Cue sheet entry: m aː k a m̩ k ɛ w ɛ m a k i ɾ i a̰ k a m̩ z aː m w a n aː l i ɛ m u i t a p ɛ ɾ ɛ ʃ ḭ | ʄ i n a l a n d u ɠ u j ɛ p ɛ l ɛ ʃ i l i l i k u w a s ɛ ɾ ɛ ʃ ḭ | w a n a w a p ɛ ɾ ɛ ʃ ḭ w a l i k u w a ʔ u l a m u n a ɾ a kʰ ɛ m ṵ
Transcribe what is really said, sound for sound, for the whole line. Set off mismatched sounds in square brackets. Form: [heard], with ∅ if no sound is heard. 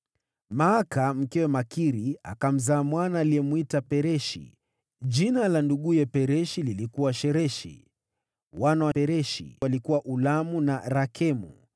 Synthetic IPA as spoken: m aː k a m̩ k ɛ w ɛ m a k i ɾ i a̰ k a m̩ z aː m w a n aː l i ɛ m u i t a p ɛ ɾ ɛ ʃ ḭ | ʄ i n a l a n d u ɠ u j ɛ p ɛ [ɾ] ɛ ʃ i l i l i k u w a [ʃ] ɛ ɾ ɛ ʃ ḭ | w a n a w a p ɛ ɾ ɛ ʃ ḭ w a l i k u w a ʔ u l a m u n a ɾ a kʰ ɛ m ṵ